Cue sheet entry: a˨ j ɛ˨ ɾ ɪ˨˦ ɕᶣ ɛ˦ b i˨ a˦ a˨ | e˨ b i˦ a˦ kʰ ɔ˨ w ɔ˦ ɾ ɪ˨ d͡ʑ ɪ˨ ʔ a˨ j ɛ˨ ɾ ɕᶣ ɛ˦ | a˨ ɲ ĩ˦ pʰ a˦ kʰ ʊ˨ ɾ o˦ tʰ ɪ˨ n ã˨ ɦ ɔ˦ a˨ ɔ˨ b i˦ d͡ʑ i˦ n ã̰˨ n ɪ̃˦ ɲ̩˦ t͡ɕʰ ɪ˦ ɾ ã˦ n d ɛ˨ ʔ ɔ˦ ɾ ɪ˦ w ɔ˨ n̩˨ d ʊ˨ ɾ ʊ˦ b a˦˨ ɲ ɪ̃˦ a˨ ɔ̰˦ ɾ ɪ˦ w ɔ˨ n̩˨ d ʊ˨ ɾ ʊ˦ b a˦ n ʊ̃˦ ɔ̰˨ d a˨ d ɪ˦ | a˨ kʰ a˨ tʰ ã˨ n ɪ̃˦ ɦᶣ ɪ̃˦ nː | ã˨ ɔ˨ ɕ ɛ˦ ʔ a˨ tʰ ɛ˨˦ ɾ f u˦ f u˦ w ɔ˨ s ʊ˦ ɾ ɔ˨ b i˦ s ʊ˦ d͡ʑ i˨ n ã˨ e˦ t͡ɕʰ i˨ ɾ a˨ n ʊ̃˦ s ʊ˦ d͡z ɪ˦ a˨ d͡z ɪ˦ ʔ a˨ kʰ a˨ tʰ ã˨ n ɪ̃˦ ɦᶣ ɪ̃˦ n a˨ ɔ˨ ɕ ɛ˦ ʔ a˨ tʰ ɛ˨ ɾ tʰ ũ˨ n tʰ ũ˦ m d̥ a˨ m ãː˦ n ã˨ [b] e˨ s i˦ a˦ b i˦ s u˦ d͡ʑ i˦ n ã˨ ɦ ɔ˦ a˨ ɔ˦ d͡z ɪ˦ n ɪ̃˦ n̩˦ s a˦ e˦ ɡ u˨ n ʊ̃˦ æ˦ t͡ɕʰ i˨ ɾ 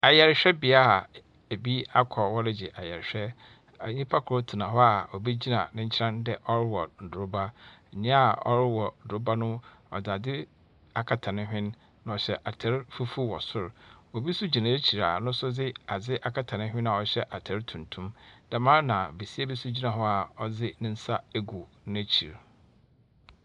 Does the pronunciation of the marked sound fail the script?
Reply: no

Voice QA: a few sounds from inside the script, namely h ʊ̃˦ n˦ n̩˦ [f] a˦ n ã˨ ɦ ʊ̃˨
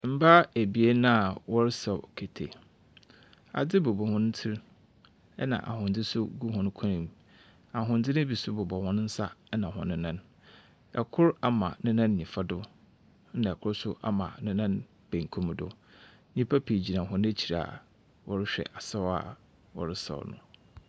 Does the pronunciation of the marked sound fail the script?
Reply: yes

